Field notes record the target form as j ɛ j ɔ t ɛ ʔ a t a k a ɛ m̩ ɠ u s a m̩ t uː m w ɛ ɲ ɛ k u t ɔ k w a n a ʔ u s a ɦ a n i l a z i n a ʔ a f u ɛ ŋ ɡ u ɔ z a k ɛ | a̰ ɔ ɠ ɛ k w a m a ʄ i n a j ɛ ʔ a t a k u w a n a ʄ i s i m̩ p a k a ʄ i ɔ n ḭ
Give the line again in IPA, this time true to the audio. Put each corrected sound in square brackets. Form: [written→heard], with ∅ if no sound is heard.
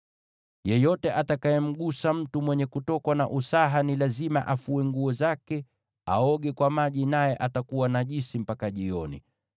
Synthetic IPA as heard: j ɛ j ɔ t ɛ ʔ a t a k a ɛ m̩ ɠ u s a m̩ t [uː→u] m w ɛ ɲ ɛ k u t ɔ k w a n a ʔ u s a ɦ a n i l a z i [n→m] a ʔ a f u ɛ ŋ ɡ u ɔ z a k ɛ | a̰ ɔ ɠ ɛ k w a m a ʄ i n a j ɛ ʔ a t a k u w a n a ʄ i s i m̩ p a k a ʄ i ɔ n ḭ

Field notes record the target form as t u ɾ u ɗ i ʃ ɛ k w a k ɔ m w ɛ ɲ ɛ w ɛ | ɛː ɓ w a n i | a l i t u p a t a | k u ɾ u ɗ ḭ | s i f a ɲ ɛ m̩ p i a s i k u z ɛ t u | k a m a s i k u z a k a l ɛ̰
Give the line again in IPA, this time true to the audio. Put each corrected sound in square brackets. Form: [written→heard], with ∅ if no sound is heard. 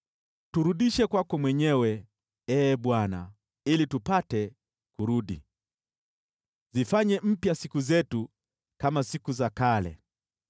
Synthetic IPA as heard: t u ɾ u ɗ i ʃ ɛ k w a k ɔ m w ɛ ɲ ɛ w ɛ | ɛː ɓ w a n [i→a] | [a→i] l i t u p a t [a→ɛ] | k u ɾ u ɗ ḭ | [s→z] i f a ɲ ɛ m̩ p [i→j] a s i k u z ɛ t u | k a m a s i k u z a k a l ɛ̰

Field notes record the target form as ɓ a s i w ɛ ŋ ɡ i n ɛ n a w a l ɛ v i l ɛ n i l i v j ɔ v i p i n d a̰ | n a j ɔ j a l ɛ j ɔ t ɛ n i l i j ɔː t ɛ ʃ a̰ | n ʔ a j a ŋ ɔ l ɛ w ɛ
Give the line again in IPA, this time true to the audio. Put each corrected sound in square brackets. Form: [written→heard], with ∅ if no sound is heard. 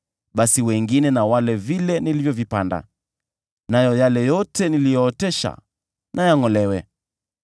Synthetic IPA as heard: ɓ a s i w ɛ ŋ ɡ i n ɛ n a w a l ɛ v i l ɛ n i l i v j ɔ v i p [i→a] n d a̰ | n a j ɔ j a l ɛ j ɔ t ɛ n i l i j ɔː t ɛ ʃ a̰ | n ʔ a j a ŋ ɔ l ɛ w ɛ

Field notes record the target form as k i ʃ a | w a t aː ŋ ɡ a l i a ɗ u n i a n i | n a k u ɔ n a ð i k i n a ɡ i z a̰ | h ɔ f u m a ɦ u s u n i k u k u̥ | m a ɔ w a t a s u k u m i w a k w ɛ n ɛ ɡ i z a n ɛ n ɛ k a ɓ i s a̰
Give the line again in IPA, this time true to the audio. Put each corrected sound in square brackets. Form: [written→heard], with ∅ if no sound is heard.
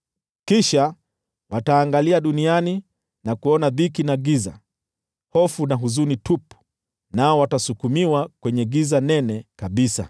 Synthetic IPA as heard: k i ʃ a | w a t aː ŋ ɡ a l i a ɗ u n i a n i | n a k u ɔ n a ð i k i n a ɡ i z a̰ | h ɔ f u [m→n] a ɦ u [s→z] u n i [k→t] u [k→p] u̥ | [m→n] a ɔ w a t a s u k u m i w a k w ɛ [n→ɲ] ɛ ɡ i z a n ɛ n ɛ k a ɓ i s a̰

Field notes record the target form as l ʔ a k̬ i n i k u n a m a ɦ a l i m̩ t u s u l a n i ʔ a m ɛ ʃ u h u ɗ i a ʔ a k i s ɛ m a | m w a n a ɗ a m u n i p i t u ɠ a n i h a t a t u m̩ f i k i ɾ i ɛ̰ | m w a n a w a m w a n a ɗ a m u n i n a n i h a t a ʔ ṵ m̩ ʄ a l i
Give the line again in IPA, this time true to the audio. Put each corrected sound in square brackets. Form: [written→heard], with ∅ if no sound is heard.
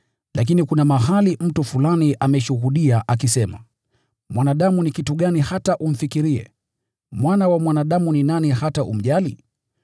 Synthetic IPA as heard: l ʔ a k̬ i n i k u n a m a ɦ a l i m̩ t u [s→f] u l a n i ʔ a m ɛ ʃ u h u ɗ i a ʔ a k i s ɛ m a | m w a n a ɗ a m u n i [p→k] i t u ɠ a n i h a t a [t→ʔ] u m̩ f i k i ɾ i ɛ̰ | m w a n a w a m w a n a ɗ a m u n i n a n i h a t a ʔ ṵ m̩ ʄ a l i

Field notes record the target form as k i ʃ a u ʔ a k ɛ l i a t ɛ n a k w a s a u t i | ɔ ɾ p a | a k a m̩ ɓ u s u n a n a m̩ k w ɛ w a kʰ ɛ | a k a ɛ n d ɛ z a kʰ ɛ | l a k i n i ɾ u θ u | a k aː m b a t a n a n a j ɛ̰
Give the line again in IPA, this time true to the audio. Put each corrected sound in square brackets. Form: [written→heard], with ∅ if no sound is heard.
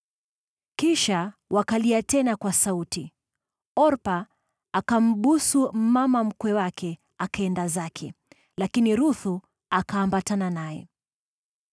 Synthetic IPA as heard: k i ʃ a [u→w] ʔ a k [ɛ→a] l i a t ɛ n a k w a s a u t i | ɔ ɾ p a | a k a m̩ ɓ u s u [n→m] a [n→m] a m̩ k w ɛ w a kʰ ɛ | a k a ɛ n d [ɛ→a] z a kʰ ɛ | l a k i n i ɾ u θ u | a k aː m b a t a n a n a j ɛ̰

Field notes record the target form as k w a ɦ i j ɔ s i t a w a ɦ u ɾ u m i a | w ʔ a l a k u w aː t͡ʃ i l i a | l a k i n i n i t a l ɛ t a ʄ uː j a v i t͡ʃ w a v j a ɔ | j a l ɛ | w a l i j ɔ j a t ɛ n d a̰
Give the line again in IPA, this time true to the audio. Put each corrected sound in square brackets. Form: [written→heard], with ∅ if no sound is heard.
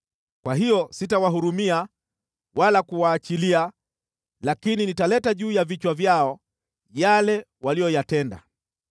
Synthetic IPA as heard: k w a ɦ i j ɔ s i t a w a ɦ u ɾ u m i a | w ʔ a l a k u w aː t͡ʃ i l i a | l a k i n i n i t a l ɛ t a ʄ uː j a v i t͡ʃ w a v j a ɔ | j a l ɛ | w a l i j ɔ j a t ɛ n d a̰

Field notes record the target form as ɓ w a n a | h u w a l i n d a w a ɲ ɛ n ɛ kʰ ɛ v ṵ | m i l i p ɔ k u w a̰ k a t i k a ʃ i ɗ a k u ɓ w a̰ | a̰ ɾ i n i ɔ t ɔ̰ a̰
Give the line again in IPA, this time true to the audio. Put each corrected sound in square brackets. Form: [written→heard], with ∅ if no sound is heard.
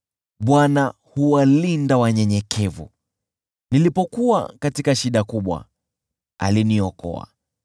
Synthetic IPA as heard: ɓ w a n a | h u w a l i n d a w a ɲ ɛ [n→ɲ] ɛ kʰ ɛ v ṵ | [m→n] i l i p ɔ k u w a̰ k a t i k a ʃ i ɗ a k u ɓ w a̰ | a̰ [ɾ→l] i n i ɔ [t→k] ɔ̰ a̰

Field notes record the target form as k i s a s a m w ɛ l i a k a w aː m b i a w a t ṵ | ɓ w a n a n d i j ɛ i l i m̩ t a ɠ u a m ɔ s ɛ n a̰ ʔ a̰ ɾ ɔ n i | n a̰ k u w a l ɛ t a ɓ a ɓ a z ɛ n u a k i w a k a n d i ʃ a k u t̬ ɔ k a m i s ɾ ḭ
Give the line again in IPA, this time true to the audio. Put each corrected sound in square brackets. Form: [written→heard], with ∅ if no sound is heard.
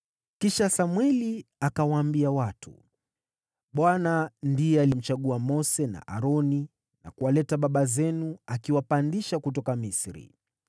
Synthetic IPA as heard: k i [s→ʃ] a s a m w ɛ l i a k a w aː m b i a w a t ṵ | ɓ w a n a n d i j ɛ [i→a] l i m̩ [t→t͡ʃ] a ɠ u a m ɔ s ɛ n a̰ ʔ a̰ ɾ ɔ n i | n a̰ k u w a l ɛ t a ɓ a ɓ a z ɛ n u a k i w a [k→p] a n d i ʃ a k u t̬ ɔ k a m i s ɾ ḭ

